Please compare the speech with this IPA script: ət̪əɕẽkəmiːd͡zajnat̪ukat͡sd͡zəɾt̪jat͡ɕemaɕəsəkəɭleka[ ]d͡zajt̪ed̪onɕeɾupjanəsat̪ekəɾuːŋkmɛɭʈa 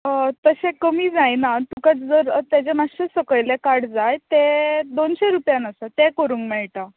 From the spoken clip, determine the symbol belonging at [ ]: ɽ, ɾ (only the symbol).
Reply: ɽ